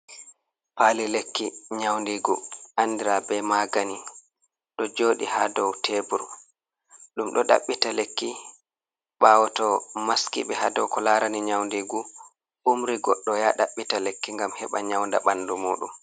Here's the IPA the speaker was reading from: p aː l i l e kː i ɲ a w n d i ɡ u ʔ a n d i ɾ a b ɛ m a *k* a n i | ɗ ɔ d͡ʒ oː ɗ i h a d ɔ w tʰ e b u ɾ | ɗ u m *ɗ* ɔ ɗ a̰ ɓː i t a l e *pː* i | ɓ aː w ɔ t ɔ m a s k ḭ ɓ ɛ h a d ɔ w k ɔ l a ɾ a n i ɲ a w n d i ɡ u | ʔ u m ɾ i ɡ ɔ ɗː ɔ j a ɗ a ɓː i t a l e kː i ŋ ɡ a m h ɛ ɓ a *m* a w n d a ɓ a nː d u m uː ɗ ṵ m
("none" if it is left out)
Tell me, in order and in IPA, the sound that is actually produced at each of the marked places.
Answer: ɡ, ɗ, kː, ɲ

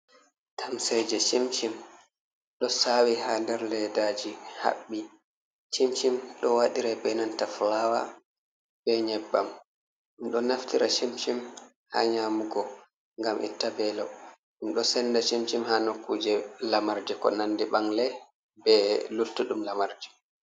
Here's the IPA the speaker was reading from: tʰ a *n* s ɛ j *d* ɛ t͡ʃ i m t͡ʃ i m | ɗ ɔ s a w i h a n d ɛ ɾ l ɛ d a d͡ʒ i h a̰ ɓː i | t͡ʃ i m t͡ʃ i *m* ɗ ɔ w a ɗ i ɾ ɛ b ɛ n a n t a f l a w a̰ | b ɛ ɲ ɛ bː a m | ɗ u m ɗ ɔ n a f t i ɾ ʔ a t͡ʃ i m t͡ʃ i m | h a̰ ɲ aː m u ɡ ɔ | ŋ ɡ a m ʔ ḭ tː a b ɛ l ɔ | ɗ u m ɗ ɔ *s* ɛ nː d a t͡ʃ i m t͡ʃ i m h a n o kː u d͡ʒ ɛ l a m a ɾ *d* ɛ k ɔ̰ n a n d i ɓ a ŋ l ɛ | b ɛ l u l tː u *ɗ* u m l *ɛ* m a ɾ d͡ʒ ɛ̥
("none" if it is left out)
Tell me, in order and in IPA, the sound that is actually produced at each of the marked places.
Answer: m, d͡ʒ, m, s, d͡ʒ, ɗ, a

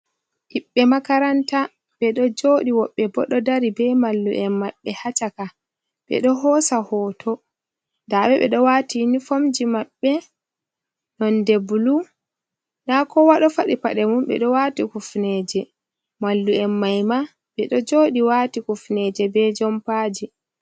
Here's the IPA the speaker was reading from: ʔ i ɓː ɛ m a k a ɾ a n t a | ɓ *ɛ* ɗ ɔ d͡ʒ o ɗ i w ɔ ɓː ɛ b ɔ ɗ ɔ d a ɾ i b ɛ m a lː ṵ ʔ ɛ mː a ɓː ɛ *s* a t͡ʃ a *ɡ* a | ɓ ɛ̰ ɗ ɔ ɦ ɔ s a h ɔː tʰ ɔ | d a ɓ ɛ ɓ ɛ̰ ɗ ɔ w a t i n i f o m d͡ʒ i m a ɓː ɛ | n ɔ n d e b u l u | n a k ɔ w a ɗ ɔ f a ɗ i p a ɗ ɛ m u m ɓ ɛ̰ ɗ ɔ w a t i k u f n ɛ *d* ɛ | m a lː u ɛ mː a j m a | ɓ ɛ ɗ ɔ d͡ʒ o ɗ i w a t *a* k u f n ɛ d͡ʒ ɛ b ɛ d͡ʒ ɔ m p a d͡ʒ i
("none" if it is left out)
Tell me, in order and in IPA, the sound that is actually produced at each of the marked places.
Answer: ɛ, h, k, d͡ʒ, i

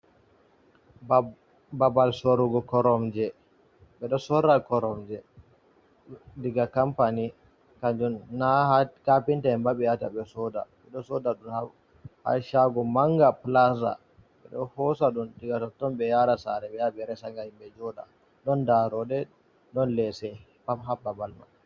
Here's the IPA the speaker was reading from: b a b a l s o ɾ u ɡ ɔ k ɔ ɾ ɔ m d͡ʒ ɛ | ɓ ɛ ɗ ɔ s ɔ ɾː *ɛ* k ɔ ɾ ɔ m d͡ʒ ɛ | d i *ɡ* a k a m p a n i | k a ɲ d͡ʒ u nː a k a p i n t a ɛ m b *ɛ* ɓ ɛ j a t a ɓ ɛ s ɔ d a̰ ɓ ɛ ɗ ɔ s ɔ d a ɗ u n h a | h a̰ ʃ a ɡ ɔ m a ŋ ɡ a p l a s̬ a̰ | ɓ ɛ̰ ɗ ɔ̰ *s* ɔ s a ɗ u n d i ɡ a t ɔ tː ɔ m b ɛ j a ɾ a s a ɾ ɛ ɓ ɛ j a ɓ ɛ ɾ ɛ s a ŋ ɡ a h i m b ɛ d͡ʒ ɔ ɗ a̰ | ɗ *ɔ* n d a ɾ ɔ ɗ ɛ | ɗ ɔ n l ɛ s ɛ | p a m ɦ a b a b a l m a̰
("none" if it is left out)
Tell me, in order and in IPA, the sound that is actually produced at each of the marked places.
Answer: a, ɡ, a, h, ɔ

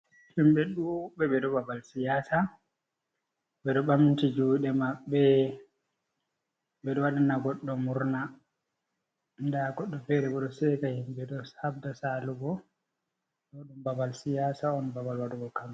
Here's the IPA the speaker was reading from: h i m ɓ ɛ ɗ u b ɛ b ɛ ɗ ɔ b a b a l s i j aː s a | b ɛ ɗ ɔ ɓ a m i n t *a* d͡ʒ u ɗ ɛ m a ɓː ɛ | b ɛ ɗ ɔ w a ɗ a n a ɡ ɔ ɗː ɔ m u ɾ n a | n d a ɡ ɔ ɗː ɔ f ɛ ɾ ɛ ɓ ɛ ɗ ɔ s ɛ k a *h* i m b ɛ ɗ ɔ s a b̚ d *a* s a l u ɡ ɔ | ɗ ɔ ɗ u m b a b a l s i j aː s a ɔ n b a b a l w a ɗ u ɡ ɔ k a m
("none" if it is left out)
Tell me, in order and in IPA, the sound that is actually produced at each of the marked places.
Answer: i, h, a

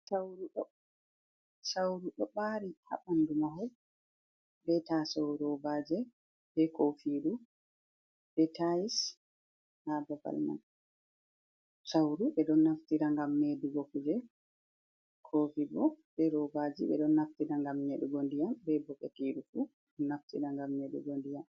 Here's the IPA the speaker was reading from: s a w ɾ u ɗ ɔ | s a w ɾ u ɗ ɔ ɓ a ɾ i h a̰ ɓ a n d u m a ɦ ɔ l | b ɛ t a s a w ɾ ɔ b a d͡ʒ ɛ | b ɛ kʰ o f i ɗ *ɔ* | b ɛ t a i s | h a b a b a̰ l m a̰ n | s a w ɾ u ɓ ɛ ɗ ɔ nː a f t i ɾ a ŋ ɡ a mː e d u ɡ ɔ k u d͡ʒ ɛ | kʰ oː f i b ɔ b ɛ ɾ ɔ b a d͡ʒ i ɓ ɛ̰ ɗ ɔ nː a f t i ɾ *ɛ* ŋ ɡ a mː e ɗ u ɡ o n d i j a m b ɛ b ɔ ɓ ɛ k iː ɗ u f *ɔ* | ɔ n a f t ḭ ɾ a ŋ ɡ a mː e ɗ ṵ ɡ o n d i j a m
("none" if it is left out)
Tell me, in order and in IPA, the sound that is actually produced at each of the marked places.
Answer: u, a, u

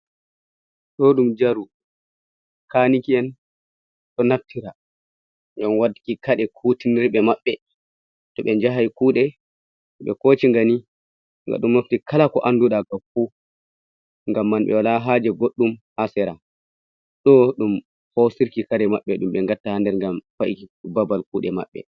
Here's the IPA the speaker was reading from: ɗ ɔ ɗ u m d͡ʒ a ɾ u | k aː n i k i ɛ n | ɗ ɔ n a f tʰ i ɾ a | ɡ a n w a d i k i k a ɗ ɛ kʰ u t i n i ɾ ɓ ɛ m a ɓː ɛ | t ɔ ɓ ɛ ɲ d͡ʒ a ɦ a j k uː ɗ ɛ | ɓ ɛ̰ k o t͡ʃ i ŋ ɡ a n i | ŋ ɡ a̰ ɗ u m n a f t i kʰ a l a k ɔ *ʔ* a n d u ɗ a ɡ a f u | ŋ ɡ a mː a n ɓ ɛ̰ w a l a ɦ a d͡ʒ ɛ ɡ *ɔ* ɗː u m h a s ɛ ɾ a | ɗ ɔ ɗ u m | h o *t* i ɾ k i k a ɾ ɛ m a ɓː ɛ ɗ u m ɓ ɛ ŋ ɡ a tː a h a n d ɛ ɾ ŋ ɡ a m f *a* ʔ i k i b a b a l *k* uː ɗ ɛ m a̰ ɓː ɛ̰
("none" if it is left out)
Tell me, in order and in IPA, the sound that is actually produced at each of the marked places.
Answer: ʔ, o, s, a, k

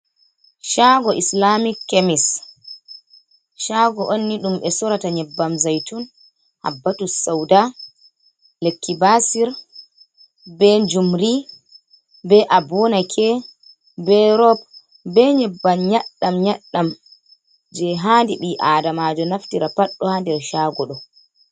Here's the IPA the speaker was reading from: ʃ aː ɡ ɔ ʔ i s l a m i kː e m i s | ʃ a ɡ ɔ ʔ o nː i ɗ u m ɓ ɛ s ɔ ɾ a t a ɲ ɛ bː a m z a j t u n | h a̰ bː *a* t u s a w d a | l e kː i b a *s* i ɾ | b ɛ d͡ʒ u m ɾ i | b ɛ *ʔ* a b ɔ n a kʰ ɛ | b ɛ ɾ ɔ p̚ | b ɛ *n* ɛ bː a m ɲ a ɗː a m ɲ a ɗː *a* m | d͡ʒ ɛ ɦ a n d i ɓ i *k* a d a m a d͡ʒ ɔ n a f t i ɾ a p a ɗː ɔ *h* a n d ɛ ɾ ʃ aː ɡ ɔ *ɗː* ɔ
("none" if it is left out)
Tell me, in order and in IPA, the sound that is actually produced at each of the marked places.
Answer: a, s, ʔ, ɲ, a, ʔ, h, ɗ

